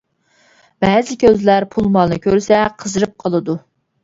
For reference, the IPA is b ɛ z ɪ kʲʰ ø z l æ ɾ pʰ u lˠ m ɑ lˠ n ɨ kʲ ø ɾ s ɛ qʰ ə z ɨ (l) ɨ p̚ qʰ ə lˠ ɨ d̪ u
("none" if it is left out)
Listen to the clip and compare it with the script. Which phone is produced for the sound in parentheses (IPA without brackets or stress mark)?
ɾ